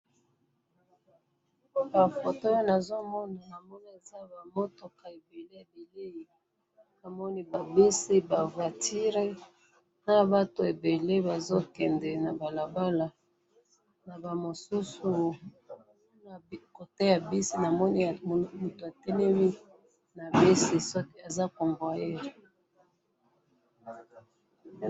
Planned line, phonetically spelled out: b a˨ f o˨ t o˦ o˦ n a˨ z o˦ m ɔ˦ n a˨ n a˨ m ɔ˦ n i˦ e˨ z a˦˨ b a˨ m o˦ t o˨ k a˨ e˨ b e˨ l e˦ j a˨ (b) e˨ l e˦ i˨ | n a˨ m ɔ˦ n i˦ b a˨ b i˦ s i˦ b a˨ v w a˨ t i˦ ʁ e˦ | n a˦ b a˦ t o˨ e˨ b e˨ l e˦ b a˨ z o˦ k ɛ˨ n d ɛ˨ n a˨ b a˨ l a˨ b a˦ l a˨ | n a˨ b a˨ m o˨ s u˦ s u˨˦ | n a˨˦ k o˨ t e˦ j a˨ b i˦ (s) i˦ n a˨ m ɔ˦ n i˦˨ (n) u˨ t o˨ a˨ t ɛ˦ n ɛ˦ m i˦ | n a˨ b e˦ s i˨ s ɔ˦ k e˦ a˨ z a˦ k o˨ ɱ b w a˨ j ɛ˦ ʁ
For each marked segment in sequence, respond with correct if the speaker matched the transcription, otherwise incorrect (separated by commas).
correct, correct, incorrect